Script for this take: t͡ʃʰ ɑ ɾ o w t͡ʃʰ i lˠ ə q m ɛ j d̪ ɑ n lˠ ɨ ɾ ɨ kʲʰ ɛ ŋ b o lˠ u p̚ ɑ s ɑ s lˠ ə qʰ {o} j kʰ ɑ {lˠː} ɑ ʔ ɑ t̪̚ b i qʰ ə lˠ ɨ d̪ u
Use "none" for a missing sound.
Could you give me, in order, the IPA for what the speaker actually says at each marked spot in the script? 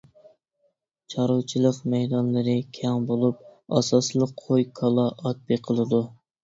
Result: o, lˠ

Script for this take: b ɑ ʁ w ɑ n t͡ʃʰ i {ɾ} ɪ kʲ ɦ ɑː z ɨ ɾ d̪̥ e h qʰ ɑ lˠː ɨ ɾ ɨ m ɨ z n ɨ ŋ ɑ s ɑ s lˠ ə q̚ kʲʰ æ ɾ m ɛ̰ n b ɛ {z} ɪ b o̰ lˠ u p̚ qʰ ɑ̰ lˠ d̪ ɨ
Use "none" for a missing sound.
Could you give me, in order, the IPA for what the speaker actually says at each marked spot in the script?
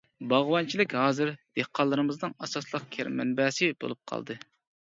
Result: l, s

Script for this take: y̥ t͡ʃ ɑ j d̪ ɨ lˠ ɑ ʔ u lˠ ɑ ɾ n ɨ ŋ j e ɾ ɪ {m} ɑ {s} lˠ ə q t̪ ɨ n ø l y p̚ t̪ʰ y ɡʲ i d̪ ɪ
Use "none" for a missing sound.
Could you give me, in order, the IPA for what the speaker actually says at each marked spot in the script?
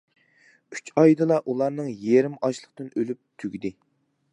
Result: m, ʃ

